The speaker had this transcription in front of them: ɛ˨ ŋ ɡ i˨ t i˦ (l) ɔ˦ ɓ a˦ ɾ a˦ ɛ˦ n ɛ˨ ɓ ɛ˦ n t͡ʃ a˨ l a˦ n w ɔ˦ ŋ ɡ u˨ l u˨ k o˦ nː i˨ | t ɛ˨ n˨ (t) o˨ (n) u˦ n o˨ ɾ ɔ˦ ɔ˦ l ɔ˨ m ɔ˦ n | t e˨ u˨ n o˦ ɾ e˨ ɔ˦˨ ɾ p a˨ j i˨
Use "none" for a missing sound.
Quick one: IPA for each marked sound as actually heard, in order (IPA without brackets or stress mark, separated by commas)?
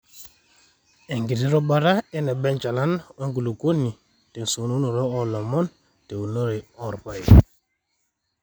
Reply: ɾ, s, n